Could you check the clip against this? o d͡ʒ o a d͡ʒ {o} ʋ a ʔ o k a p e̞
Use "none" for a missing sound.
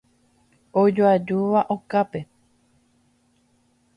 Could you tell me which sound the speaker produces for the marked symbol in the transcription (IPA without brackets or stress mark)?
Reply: u